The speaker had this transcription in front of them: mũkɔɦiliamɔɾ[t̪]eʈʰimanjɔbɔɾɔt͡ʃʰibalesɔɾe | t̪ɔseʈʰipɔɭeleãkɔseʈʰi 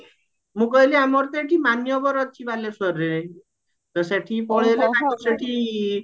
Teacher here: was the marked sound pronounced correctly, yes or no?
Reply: yes